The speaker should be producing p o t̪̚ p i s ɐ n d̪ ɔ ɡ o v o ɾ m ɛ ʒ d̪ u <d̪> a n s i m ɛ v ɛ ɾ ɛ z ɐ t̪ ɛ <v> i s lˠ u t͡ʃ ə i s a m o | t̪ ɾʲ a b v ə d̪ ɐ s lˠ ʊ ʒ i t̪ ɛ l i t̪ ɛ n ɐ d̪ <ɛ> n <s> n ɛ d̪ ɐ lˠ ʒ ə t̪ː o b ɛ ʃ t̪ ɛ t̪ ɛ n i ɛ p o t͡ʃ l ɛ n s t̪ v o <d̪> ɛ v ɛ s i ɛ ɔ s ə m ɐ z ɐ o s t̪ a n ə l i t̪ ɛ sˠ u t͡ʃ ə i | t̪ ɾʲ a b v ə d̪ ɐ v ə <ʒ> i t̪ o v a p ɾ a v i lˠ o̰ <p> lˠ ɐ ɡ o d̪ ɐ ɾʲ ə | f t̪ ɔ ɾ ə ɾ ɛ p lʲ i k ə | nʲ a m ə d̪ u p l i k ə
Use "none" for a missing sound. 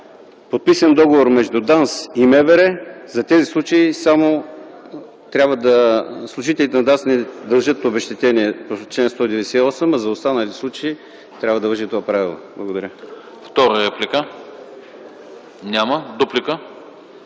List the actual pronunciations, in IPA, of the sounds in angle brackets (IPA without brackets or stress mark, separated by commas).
d̪, z, a, s, d̪, ʒ, b